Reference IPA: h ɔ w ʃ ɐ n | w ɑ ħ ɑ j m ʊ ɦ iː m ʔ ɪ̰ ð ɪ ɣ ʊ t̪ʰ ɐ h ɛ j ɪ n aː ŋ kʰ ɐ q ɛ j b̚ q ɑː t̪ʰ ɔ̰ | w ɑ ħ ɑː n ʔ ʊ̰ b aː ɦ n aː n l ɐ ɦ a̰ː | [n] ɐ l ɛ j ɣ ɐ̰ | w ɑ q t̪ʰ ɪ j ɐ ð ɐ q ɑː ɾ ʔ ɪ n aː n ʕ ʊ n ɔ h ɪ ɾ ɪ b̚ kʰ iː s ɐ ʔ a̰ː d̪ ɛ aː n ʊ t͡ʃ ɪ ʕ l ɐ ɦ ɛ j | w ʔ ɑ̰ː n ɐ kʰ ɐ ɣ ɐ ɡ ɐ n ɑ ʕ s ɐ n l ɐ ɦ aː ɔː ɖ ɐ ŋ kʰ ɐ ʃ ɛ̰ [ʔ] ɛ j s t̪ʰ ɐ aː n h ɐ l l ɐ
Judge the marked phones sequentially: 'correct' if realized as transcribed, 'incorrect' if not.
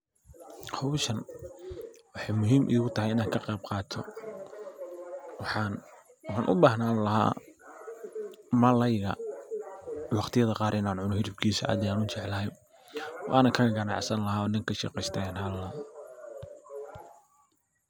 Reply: incorrect, incorrect

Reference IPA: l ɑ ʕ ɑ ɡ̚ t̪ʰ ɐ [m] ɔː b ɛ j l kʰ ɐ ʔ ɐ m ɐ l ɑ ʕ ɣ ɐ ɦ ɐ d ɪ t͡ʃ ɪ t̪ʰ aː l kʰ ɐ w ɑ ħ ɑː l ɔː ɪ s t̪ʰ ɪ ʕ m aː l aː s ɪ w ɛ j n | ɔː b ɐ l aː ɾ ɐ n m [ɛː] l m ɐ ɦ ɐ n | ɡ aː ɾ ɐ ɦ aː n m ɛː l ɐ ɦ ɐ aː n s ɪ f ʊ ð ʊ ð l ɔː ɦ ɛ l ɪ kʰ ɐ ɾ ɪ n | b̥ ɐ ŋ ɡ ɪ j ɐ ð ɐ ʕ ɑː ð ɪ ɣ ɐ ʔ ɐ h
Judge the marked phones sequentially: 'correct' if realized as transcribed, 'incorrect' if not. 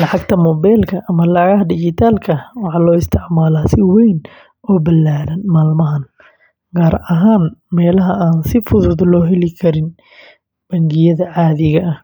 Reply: correct, incorrect

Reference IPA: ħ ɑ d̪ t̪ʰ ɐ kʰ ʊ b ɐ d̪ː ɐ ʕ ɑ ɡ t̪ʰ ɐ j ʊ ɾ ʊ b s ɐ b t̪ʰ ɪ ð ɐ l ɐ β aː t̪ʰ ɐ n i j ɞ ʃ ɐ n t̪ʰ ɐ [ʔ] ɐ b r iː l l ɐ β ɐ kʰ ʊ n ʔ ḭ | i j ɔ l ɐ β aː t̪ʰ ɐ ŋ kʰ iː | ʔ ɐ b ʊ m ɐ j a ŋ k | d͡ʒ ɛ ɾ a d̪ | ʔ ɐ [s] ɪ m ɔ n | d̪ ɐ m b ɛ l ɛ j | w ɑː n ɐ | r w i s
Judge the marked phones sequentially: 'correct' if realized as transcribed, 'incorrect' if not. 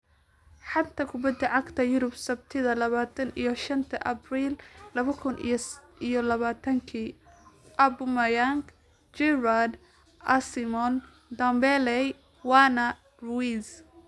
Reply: correct, correct

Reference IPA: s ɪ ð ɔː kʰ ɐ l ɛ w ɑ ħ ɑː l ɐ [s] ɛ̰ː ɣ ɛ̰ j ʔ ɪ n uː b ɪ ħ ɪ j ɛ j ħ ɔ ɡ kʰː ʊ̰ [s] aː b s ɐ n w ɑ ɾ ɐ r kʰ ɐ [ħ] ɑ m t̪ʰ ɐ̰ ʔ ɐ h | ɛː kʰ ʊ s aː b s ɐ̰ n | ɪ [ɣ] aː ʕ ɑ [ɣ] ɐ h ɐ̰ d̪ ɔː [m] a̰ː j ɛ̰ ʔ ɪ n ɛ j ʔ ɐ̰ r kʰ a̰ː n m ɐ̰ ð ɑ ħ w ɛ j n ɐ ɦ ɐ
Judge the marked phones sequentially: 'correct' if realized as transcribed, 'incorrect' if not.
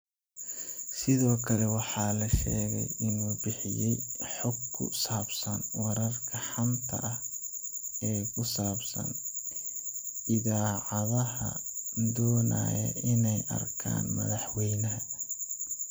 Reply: incorrect, correct, correct, incorrect, incorrect, incorrect

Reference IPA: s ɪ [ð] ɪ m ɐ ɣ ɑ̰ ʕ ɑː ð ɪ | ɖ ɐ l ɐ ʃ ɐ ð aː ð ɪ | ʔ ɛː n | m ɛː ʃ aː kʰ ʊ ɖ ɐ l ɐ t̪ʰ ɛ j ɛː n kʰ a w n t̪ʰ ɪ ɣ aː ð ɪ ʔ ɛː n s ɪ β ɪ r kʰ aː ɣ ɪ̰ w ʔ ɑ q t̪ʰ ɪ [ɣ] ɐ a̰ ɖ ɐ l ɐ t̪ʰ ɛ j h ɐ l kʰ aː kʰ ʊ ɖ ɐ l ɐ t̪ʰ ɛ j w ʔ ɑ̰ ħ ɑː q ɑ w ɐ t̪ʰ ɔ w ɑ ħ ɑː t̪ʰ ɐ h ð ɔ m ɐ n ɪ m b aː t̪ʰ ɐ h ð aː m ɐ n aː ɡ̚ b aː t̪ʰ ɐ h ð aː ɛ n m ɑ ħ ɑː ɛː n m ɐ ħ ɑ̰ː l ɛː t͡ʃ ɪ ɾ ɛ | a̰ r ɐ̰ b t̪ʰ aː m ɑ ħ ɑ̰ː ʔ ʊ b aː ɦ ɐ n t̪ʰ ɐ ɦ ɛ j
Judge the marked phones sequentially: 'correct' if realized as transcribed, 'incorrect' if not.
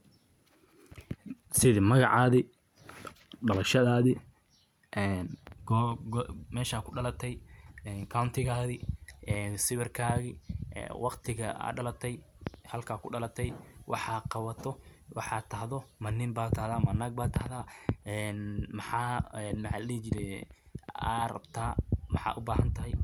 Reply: correct, correct

